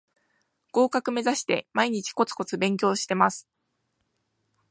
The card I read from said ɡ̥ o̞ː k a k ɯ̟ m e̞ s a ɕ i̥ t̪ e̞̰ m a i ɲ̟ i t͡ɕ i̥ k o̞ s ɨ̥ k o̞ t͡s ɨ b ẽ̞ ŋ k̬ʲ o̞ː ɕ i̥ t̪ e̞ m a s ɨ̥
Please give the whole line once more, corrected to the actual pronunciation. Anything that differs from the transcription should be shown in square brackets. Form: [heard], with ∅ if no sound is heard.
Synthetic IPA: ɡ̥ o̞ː k a k ɯ̟ m e̞ [z] a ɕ i̥ t̪ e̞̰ m a i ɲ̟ i t͡ɕ i̥ k o̞ [t͡s] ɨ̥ k o̞ t͡s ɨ b ẽ̞ ŋ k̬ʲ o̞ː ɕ i̥ t̪ e̞ m a s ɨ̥